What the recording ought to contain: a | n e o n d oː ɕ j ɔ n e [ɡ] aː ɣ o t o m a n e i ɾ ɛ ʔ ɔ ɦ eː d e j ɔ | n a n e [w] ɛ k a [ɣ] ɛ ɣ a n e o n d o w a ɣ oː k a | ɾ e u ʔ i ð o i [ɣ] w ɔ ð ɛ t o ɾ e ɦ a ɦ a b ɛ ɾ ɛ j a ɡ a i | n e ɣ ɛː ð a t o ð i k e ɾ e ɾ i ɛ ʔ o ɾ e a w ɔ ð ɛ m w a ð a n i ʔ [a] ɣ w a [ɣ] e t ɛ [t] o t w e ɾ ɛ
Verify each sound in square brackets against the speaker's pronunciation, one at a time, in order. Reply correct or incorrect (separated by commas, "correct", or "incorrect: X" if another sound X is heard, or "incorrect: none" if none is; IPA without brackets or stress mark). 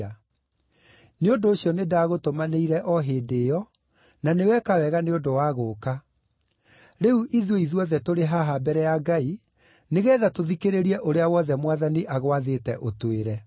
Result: incorrect: d, correct, incorrect: w, incorrect: ð, correct, incorrect: ð, incorrect: ʔ